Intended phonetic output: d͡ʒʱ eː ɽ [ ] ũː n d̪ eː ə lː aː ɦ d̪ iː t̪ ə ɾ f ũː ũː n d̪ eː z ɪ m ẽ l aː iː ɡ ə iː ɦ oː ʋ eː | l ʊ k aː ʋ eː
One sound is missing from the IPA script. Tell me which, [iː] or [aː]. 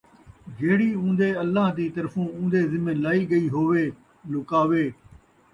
iː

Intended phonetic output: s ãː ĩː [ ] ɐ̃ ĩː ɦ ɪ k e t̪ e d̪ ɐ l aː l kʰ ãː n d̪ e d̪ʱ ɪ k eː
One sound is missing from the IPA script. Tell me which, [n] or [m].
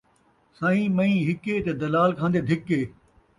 m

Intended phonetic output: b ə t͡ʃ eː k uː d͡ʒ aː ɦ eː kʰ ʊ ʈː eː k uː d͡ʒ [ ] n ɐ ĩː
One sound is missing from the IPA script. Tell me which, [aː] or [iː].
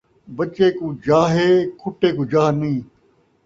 aː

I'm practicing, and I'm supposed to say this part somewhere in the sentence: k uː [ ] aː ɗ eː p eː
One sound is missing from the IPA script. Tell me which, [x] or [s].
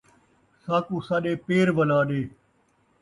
s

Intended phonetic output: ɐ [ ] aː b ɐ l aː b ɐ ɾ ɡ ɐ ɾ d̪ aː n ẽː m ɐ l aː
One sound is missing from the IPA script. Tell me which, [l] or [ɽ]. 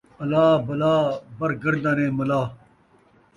l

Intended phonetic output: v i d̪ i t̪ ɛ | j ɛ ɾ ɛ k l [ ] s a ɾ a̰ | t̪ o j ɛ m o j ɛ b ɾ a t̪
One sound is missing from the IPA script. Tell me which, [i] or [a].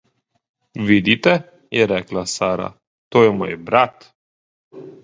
a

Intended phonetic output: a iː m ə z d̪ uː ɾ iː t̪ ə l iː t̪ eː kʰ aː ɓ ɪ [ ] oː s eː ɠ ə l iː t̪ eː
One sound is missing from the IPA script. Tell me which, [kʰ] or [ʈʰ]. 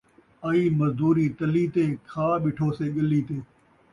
ʈʰ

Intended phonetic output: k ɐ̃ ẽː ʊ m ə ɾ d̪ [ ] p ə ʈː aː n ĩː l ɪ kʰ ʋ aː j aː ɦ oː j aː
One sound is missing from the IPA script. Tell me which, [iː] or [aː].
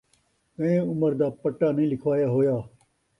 aː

